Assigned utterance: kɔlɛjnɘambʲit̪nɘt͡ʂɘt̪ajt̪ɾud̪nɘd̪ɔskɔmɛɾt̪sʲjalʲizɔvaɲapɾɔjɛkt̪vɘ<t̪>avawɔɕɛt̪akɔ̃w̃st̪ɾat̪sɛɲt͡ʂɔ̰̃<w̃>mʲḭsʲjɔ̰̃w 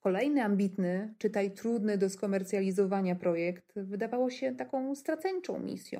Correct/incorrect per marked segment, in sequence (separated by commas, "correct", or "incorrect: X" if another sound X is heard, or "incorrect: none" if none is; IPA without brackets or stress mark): incorrect: d̪, correct